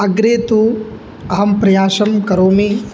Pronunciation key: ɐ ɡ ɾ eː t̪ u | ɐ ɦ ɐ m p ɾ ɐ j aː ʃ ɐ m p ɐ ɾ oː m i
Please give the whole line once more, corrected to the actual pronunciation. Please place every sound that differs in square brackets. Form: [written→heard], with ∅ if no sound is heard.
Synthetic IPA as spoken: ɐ ɡ ɾ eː t̪ u | ɐ ɦ ɐ m p ɾ ɐ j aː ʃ ɐ m [p→k] ɐ ɾ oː m i